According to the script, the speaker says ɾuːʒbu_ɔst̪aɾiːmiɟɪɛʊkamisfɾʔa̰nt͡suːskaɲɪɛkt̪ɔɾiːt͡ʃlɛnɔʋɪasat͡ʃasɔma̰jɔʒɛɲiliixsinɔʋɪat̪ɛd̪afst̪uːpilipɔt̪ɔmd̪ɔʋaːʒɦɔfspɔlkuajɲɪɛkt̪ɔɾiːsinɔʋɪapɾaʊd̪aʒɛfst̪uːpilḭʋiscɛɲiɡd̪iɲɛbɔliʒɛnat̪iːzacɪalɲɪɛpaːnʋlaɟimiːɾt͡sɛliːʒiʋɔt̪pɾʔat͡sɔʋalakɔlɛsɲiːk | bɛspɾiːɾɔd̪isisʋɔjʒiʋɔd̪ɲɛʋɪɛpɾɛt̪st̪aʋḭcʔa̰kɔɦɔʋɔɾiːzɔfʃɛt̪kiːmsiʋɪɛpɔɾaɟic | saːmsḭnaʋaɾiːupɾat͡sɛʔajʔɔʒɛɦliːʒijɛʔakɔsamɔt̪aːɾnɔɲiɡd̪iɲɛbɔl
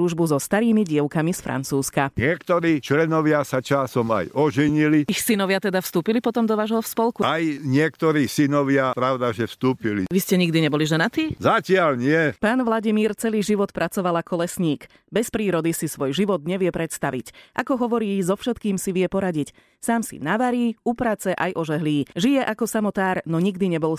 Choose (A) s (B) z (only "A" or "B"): B